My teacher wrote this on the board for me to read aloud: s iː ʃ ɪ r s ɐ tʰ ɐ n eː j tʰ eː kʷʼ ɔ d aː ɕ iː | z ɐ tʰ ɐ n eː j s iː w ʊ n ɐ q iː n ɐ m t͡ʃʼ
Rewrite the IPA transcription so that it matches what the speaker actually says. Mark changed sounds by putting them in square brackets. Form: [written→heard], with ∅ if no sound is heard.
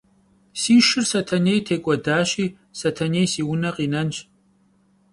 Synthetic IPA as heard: s iː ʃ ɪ r s ɐ tʰ ɐ n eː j tʰ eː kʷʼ ɔ d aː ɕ iː | [z→s] ɐ tʰ ɐ n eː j s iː w ʊ n ɐ q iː n ɐ [m→n] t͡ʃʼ